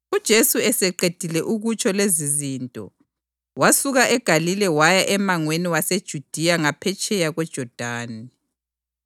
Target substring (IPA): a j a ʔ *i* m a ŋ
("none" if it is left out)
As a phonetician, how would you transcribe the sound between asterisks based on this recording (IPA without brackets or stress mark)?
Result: ɛ